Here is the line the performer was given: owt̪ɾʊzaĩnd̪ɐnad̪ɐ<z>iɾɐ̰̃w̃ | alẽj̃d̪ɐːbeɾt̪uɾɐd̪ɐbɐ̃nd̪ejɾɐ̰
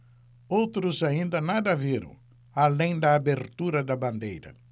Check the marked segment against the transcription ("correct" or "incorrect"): incorrect